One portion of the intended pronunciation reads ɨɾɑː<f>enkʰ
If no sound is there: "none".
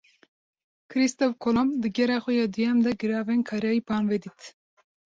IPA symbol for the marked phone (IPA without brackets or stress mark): v